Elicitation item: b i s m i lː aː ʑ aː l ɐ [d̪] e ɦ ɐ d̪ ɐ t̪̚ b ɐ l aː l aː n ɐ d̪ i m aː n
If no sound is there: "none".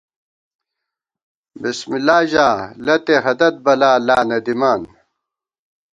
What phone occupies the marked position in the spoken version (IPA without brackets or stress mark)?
t̪